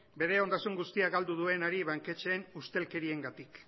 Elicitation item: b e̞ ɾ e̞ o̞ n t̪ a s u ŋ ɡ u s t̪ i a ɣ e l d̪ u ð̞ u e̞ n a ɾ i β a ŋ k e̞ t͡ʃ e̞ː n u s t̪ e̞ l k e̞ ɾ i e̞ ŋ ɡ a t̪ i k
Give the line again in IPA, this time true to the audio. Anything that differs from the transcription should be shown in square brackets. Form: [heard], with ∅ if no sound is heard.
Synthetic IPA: b e̞ ɾ e̞ o̞ n [d̪] a s u ŋ ɡ u s t̪ i a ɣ [a] l d̪ u ð̞ u e̞ n a ɾ i β a ŋ k e̞ t͡ʃ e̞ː n u s t̪ e̞ l k e̞ ɾ i e̞ ŋ ɡ a t̪ i k